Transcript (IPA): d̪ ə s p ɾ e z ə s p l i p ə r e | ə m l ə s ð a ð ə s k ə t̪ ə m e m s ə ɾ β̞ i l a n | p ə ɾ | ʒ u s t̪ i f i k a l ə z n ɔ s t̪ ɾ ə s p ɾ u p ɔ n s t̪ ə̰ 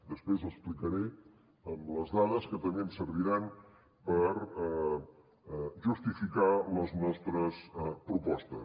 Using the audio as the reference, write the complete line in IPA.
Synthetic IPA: d̪ ə s p ɾ e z ə s p l i k ə ɾ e | ə m l ə z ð a ð ə s k ə t̪ ə m e m s ə ɾ β̞ i ɾ a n | p ə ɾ | ʒ u s t̪ i f i k a l ə z n ɔ s t̪ ɾ ə s p ɾ u p ɔ s t̪ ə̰